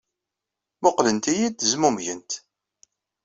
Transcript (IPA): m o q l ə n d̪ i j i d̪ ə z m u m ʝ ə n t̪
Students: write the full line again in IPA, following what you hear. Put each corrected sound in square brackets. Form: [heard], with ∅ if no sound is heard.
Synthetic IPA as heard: m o q l ə n [t̪] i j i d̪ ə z m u m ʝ ə n t̪